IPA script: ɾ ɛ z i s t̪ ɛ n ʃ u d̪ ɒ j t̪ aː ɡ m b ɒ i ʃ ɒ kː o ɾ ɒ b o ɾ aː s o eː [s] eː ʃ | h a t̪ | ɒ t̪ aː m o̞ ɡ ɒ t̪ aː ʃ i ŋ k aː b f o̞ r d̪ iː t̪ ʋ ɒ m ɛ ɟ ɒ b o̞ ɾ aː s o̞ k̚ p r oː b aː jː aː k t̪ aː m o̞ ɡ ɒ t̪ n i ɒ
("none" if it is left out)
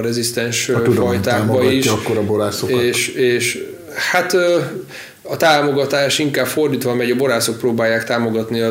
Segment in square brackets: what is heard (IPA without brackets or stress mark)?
ʃ